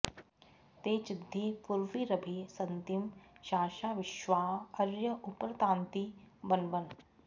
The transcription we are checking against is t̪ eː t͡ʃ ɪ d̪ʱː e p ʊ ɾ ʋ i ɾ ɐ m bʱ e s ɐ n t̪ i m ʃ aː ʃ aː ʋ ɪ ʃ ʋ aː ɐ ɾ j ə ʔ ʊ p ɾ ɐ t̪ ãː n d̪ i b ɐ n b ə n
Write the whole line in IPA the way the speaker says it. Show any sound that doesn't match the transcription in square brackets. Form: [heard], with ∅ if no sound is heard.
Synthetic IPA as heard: t̪ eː t͡ʃ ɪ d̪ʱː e p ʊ ɾ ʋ i ɾ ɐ [∅] bʱ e s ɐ n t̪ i m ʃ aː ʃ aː ʋ ɪ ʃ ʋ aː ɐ ɾ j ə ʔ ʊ p ɾ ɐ t̪ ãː n [t̪] i b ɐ n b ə n